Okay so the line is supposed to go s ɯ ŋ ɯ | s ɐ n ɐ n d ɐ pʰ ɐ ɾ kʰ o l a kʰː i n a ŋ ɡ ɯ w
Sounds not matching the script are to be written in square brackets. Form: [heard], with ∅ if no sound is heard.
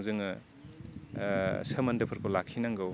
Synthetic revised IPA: [z] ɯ ŋ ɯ | s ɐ [m] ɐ n d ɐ pʰ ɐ ɾ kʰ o l a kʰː i n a ŋ ɡ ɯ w

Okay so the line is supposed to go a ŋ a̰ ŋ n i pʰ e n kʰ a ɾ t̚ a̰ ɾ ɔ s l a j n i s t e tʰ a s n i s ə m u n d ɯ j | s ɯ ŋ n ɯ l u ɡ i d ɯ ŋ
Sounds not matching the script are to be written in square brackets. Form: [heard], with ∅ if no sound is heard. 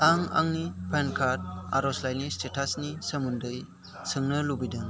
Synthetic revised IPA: a ŋ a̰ ŋ n i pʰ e n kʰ a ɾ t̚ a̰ ɾ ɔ s l a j n i s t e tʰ a s n i s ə m u n d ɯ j | s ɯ ŋ n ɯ l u [b] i d ɯ ŋ

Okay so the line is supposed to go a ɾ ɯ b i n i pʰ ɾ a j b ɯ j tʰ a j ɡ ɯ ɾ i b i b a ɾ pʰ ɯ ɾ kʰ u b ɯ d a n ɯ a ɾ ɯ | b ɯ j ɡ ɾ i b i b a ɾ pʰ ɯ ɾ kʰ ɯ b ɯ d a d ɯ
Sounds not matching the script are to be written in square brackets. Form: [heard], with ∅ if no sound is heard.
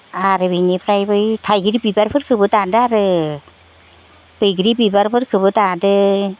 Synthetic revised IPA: a ɾ ɯ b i n i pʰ ɾ a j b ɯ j tʰ a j ɡ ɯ ɾ i b i b a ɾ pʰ ɯ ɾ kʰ [ɯ] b ɯ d a [d] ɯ a ɾ ɯ | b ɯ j ɡ ɾ i b i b a ɾ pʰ ɯ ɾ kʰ ɯ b ɯ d a d ɯ

